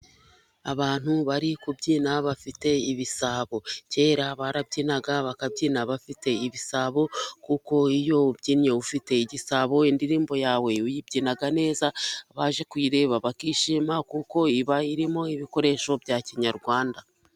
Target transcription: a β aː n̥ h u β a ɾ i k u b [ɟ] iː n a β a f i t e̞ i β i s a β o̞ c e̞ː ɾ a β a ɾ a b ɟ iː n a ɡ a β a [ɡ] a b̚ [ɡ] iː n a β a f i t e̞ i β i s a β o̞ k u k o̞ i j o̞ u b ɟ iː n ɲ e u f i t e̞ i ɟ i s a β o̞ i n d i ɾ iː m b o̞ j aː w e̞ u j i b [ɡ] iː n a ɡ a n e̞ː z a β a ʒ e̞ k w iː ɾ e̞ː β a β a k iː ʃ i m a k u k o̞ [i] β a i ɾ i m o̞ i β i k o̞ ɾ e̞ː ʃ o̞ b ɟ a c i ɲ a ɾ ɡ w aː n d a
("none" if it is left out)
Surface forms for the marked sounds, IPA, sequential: ɟ, k, ɟ, ɟ, i

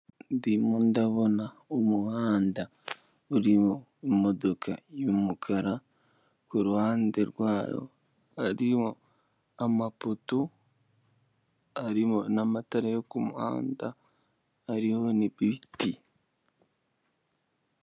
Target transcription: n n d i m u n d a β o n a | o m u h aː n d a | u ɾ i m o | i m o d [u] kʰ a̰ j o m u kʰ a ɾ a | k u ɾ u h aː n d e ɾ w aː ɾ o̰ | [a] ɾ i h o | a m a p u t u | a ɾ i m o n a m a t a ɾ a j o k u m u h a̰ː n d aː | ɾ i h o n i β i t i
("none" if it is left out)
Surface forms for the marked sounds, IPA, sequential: o, a

